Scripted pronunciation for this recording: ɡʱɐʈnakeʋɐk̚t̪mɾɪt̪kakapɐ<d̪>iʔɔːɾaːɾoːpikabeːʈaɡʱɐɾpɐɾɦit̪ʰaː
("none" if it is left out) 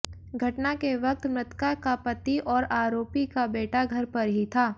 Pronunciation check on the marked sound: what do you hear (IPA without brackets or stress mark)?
t̪